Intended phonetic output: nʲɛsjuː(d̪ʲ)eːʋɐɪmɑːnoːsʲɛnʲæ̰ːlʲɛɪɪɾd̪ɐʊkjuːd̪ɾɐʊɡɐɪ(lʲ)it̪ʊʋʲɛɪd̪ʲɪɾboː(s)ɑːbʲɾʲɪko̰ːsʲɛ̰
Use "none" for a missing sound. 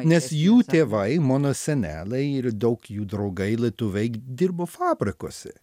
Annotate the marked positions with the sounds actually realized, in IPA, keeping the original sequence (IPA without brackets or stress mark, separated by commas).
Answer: t̪ʲ, lʲ, f